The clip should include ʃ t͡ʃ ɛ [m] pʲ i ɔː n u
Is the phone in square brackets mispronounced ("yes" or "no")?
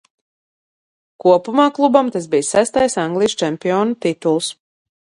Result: no